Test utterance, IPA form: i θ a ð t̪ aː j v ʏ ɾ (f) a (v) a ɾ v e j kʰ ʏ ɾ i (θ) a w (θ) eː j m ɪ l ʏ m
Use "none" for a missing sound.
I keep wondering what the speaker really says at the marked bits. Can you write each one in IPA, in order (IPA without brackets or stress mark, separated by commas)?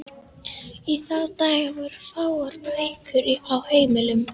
f, w, none, h